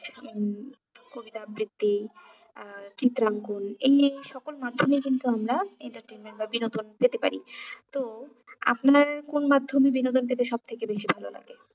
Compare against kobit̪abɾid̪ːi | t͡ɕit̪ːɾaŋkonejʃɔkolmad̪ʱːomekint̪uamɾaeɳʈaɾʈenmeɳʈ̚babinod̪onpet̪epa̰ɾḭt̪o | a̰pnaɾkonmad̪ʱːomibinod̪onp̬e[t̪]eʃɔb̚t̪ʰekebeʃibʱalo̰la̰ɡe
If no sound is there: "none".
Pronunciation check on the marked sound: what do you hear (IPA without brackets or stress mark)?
t̪